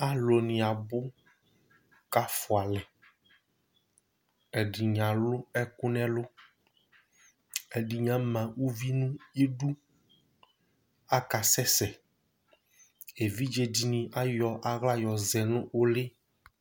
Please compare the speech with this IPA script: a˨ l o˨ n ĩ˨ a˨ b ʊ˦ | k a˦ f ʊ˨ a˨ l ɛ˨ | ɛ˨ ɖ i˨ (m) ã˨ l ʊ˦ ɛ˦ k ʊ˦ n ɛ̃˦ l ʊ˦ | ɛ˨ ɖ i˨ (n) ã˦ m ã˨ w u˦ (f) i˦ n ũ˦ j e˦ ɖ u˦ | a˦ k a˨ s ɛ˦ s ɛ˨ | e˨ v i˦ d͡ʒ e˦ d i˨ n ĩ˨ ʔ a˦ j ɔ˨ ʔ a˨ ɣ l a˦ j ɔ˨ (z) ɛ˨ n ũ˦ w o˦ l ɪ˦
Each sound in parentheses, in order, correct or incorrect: incorrect: ɲ, incorrect: ɲ, incorrect: v, correct

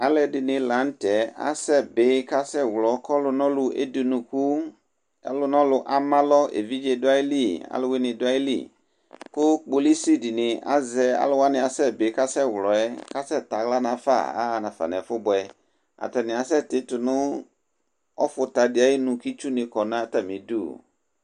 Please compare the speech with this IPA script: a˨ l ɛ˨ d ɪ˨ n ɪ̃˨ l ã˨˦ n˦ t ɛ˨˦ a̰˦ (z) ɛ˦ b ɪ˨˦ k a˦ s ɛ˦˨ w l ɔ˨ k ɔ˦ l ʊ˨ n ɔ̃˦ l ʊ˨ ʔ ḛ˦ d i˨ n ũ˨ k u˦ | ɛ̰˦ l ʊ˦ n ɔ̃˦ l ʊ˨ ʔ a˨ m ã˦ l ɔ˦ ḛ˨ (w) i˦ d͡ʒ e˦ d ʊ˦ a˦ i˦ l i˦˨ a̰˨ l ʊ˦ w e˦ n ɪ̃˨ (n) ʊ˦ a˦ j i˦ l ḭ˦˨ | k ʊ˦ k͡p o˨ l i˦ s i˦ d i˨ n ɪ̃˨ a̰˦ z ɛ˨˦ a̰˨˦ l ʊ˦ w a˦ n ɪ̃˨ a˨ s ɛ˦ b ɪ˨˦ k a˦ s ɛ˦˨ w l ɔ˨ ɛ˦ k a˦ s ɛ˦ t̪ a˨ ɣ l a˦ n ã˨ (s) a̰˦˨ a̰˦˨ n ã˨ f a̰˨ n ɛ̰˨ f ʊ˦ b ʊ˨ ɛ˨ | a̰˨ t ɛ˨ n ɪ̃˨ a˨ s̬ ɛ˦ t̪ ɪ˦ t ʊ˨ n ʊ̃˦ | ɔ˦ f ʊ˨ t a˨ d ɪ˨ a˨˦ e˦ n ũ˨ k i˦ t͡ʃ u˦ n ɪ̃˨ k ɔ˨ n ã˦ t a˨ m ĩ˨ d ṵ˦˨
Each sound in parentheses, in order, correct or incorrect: incorrect: s, incorrect: v, incorrect: d, incorrect: f

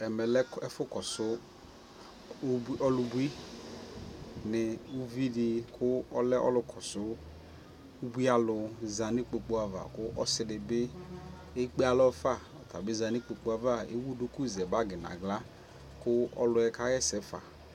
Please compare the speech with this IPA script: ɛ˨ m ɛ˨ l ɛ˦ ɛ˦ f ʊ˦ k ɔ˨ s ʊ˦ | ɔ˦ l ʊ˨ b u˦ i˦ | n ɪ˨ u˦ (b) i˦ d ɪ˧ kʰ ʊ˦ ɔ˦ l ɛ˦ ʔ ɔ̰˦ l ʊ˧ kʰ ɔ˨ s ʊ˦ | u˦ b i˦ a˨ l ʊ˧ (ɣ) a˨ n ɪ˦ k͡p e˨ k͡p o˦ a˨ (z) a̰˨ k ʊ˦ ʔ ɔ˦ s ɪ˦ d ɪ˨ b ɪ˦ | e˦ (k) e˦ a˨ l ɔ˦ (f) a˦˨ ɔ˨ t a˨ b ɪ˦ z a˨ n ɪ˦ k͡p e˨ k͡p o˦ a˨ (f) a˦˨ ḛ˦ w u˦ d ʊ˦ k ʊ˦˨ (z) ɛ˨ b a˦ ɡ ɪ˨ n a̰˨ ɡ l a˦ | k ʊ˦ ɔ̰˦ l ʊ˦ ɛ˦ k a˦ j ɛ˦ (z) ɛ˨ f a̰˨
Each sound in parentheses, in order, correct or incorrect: incorrect: v, incorrect: z, incorrect: v, incorrect: k͡p, correct, incorrect: v, correct, incorrect: s

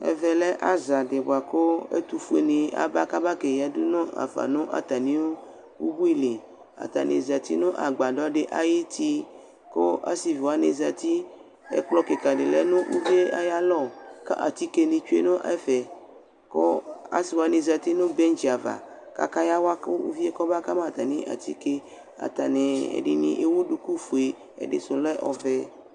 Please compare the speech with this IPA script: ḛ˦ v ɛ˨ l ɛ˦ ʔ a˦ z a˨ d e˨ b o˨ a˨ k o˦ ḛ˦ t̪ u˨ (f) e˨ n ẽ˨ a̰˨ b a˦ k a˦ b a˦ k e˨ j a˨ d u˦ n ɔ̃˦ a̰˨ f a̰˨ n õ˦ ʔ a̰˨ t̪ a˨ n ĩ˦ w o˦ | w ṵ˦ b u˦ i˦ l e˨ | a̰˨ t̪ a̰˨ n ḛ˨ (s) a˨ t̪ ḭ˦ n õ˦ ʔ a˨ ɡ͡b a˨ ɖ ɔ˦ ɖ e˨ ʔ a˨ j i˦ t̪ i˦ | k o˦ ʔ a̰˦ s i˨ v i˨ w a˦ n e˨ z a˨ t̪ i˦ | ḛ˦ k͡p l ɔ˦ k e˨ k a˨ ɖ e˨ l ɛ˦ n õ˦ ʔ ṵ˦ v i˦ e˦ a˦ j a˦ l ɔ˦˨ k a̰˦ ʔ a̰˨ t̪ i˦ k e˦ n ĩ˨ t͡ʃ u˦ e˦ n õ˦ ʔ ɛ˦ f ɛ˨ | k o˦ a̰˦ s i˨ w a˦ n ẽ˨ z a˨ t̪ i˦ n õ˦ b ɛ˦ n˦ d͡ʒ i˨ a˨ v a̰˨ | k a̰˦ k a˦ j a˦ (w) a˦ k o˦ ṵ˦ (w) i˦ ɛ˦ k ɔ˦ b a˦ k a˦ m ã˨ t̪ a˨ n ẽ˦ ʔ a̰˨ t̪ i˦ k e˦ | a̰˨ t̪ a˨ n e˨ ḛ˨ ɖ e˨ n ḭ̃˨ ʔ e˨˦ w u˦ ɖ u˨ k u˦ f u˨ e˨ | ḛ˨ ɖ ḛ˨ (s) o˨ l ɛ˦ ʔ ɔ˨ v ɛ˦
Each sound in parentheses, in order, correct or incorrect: correct, incorrect: z, correct, incorrect: v, correct

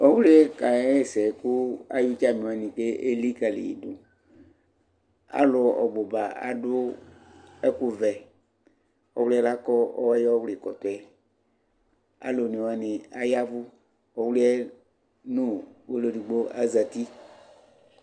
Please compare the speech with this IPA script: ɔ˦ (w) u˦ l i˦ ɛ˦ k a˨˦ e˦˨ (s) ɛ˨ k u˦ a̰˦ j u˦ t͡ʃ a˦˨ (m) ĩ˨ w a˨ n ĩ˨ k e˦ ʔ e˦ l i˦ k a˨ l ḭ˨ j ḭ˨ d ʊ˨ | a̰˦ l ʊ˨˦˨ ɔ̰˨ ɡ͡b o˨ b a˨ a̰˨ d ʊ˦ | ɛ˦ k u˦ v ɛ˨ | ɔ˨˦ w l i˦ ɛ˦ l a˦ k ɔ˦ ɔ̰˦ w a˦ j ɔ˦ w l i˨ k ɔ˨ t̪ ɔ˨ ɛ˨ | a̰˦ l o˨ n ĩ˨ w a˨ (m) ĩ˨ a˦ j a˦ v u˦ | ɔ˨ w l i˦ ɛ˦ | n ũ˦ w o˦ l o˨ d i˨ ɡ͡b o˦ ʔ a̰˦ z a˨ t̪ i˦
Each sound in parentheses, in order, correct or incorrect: correct, correct, correct, incorrect: n

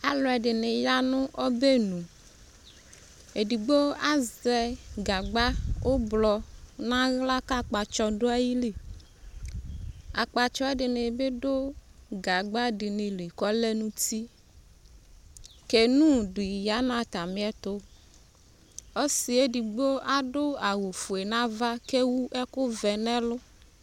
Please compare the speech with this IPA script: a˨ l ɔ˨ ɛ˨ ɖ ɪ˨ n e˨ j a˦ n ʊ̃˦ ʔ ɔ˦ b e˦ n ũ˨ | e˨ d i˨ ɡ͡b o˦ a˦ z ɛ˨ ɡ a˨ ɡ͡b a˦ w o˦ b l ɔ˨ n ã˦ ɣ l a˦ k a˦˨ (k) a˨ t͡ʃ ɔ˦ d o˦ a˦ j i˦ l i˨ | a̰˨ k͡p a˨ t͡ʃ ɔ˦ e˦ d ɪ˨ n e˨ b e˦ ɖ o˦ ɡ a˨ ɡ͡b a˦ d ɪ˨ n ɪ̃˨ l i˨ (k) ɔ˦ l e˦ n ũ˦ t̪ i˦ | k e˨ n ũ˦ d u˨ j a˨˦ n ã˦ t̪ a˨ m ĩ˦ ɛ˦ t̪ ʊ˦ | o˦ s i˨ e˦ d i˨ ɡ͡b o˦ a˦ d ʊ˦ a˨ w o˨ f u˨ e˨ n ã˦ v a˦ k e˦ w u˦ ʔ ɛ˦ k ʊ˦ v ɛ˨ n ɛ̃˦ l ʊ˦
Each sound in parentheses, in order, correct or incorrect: incorrect: k͡p, correct

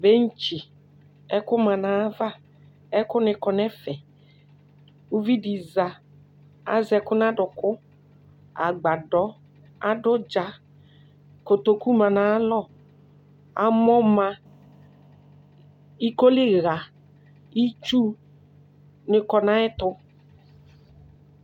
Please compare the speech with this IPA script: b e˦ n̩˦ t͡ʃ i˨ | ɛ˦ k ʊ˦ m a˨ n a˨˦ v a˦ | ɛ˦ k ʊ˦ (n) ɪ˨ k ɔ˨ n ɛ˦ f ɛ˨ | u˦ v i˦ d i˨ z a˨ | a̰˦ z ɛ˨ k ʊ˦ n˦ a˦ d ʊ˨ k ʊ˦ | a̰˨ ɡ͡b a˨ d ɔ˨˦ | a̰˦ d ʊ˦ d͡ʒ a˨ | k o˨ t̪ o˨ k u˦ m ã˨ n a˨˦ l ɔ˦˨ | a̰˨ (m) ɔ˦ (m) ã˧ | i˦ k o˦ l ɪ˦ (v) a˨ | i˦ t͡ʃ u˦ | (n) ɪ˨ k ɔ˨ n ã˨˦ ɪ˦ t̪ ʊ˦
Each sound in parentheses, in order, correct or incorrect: correct, correct, correct, incorrect: ɣ, correct

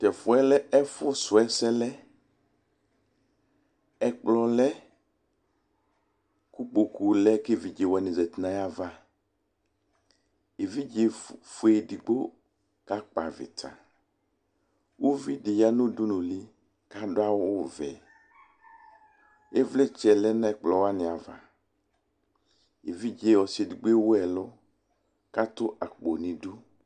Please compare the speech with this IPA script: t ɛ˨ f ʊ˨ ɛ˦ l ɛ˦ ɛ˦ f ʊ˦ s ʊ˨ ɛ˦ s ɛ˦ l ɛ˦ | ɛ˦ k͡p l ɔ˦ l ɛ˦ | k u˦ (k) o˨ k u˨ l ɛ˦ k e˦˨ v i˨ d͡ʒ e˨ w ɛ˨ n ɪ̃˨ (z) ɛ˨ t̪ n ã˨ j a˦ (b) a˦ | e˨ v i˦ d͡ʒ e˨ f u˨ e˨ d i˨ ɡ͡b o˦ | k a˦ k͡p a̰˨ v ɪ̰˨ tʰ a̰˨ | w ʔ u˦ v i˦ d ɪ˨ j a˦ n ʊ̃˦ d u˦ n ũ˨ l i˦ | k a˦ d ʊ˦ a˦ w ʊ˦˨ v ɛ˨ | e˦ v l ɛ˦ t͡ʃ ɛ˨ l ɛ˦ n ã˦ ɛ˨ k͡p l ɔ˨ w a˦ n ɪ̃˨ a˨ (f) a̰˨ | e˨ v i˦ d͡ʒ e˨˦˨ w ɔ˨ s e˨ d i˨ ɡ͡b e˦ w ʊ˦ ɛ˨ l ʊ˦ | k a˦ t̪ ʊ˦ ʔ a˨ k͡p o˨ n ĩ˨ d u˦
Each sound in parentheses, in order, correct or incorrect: incorrect: k͡p, correct, incorrect: v, incorrect: v

